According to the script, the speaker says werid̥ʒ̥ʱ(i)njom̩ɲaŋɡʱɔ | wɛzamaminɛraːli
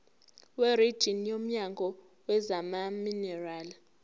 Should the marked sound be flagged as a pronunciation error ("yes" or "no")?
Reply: no